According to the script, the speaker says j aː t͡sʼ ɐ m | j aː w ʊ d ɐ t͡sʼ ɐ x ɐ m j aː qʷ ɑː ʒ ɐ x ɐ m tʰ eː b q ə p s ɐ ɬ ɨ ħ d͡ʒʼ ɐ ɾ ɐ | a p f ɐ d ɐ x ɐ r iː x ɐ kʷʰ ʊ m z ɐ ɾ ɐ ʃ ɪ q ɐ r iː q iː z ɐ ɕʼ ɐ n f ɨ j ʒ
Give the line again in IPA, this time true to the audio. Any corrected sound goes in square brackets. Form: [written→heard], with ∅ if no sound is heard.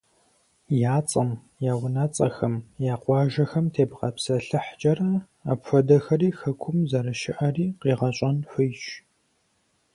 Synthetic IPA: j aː t͡sʼ ɐ m | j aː w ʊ [d→n] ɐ t͡sʼ ɐ x ɐ m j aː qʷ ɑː ʒ ɐ x ɐ m tʰ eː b q [ə→ɐ] p s ɐ ɬ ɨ ħ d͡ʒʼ ɐ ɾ ɐ | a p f ɐ d ɐ x ɐ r iː x ɐ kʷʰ ʊ m z ɐ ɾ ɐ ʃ ɪ [q→ʔ] ɐ r iː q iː [z→ʁ] ɐ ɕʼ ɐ n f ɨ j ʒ